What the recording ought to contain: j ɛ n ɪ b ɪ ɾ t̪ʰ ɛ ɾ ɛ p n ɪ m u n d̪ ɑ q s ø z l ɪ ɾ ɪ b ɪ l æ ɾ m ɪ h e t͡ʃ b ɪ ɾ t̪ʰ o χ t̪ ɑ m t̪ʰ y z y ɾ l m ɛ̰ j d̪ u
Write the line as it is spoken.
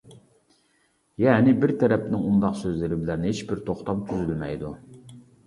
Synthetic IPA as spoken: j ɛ n ɪ b ɪ ɾ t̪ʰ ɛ ɾ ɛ p n ɪ ŋ u n d̪ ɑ q s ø z l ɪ ɾ ɪ b ɪ l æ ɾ n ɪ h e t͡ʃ b ɪ ɾ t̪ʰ o χ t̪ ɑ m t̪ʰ y z y l m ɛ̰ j d̪ u